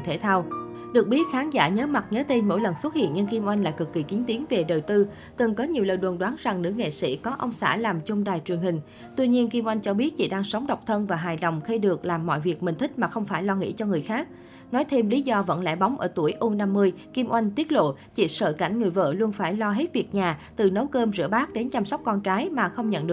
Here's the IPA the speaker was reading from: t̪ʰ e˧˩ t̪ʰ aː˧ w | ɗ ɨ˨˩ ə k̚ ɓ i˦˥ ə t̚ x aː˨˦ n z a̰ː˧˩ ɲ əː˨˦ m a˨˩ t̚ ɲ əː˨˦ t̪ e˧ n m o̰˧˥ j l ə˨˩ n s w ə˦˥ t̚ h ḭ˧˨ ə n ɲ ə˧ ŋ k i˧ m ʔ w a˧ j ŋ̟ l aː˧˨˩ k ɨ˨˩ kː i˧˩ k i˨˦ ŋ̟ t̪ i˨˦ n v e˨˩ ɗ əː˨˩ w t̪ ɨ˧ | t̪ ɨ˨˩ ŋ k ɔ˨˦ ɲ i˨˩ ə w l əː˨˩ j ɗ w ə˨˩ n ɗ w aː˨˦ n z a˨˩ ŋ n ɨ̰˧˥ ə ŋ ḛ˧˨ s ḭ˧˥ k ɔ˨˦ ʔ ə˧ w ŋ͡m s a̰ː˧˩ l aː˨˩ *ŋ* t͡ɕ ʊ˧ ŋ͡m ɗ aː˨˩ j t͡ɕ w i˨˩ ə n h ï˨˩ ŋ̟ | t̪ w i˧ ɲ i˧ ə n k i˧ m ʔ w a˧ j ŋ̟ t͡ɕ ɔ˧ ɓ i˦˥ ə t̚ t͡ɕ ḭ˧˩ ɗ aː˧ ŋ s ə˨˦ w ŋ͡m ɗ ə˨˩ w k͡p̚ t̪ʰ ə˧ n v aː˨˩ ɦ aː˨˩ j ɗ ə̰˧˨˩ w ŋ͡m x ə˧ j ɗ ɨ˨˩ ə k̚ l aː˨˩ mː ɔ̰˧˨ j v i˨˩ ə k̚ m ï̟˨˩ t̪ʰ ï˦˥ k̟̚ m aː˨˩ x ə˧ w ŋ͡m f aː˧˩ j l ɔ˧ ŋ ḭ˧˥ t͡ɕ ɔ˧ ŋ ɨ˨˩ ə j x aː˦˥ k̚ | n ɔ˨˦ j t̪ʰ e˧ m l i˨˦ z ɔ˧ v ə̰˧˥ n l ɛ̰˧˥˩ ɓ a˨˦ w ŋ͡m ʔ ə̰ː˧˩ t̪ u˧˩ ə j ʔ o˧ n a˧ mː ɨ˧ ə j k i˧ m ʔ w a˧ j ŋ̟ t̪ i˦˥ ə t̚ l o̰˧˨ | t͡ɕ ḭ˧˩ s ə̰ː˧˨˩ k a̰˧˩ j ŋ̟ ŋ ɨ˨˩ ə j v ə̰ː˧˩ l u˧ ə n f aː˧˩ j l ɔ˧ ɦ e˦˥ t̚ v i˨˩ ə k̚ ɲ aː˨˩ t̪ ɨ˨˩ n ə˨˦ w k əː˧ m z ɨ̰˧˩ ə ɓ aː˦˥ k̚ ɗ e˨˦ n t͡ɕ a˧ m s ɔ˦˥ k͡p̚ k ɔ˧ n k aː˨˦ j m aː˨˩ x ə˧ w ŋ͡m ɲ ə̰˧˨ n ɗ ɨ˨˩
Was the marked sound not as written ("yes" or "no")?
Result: yes